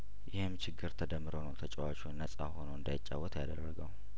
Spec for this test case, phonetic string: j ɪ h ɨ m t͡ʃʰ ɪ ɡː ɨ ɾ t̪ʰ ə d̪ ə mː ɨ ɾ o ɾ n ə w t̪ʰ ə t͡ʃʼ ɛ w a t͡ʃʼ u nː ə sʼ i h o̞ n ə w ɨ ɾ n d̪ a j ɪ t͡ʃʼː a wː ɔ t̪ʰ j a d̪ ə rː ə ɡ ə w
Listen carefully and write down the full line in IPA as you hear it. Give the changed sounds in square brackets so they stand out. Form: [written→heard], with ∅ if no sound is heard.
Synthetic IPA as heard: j ɪ h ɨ m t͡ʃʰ ɪ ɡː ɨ ɾ t̪ʰ ə d̪ ə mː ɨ ɾ o [ɾ→∅] n ə w t̪ʰ ə t͡ʃʼ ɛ w a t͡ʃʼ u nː ə sʼ [i→a] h o̞ n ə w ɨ [ɾ→∅] n d̪ a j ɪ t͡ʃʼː a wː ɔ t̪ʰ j a d̪ ə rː ə ɡ ə w